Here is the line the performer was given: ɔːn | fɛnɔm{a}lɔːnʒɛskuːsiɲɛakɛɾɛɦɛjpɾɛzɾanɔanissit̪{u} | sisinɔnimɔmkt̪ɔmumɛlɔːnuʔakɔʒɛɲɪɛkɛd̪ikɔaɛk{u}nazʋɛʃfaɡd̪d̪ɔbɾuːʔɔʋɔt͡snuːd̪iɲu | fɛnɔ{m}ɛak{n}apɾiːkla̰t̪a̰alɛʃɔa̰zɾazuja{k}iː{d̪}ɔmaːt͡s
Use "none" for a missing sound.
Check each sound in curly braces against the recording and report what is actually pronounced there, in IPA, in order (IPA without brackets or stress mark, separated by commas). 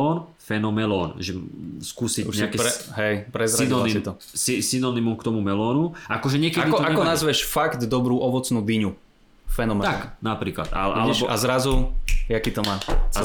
ɛ, ɔ, ɔ, m, n, k, t̪